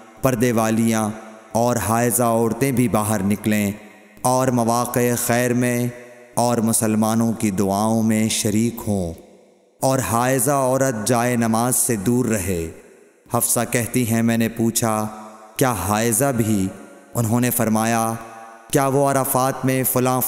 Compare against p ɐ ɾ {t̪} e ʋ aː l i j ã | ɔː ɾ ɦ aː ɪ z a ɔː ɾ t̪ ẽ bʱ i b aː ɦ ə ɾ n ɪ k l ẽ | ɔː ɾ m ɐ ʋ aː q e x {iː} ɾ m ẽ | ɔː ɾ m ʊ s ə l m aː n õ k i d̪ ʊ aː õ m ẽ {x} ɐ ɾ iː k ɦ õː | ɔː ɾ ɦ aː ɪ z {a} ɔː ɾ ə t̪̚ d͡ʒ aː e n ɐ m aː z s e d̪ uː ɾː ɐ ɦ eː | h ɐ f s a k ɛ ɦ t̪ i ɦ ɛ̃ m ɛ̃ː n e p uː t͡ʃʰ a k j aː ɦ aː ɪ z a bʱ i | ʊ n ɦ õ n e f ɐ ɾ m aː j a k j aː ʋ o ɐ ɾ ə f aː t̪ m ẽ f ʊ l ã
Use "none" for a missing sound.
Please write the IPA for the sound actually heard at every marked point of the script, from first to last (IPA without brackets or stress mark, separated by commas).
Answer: d̪, ɛː, ʃ, a